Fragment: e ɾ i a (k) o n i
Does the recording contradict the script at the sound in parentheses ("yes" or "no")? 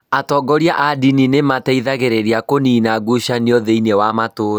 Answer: no